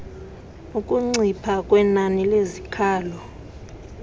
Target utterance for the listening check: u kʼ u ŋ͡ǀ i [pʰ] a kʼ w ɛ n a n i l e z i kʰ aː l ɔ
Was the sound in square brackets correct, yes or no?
yes